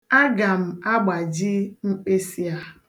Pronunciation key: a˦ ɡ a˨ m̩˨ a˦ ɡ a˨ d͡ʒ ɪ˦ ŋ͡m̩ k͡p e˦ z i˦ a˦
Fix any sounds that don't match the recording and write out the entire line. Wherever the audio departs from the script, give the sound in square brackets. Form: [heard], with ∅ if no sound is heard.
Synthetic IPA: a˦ ɡ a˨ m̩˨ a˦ [ɡ͡b] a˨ d͡ʒ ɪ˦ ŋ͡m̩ k͡p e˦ [s] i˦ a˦